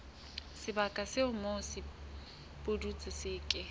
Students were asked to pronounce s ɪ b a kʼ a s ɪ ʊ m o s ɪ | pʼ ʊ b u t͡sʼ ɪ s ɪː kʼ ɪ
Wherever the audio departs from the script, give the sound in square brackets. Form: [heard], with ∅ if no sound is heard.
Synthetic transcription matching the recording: s ɪ b a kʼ a s ɪ ʊ m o s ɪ | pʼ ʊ [d] u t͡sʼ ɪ s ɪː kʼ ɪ